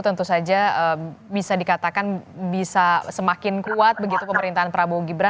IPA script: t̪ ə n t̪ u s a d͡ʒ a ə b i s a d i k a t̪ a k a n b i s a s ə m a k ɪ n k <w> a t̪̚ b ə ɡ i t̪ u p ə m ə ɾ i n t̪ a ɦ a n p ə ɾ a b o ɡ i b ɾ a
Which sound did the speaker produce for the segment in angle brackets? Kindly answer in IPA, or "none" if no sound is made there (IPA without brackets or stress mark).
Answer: u